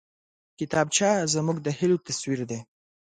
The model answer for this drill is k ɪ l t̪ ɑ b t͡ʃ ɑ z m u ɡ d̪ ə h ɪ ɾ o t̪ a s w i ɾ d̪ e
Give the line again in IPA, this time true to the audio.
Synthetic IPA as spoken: k ɪ t̪ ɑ b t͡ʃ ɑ z m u ɡ d̪ ə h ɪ l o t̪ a s w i ɾ d̪ e